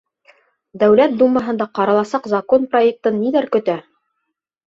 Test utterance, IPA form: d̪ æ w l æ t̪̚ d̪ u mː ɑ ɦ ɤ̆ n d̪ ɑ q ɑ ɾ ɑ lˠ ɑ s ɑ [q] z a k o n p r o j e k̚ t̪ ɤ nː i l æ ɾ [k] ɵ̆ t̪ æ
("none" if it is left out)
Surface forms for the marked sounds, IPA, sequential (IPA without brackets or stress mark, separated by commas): q, k